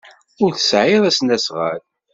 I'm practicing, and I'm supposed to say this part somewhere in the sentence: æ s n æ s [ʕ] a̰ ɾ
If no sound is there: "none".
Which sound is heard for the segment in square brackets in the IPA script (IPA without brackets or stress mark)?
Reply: ʁ